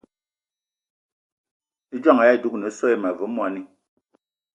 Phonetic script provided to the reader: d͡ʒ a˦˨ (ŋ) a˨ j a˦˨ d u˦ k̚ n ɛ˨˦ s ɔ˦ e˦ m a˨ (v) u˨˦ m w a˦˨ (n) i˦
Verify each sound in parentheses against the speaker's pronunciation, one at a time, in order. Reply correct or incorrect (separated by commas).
correct, correct, correct